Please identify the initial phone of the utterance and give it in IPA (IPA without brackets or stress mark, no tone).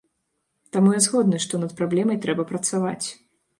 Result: t̪